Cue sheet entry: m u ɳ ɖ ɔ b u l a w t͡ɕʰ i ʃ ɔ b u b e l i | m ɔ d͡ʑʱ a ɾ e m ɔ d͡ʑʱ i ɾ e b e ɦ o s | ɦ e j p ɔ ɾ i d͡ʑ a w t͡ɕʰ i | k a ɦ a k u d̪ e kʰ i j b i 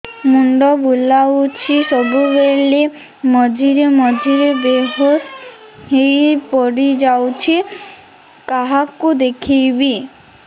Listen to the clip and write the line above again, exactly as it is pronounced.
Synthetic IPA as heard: m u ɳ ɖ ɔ b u l a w t͡ɕʰ i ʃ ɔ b u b e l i | m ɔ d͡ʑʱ i ɾ e m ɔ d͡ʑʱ i ɾ e b e ɦ o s | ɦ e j p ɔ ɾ i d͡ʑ a w t͡ɕʰ i | k a ɦ a k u d̪ e kʰ i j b i